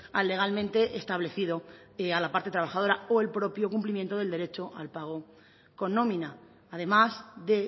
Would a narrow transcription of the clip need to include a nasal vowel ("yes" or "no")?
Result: yes